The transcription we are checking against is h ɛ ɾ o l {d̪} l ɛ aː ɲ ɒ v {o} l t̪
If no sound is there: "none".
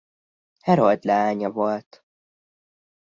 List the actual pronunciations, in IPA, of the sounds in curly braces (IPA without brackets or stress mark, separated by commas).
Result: d̪, o